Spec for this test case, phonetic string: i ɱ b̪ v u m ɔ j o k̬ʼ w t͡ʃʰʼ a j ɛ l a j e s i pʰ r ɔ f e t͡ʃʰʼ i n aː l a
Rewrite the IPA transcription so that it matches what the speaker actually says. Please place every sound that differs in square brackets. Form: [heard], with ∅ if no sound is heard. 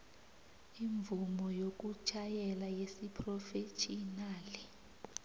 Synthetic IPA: i ɱ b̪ v u m ɔ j o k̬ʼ [u] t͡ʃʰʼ a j ɛ l a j e s i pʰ r ɔ f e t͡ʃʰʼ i n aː l [i]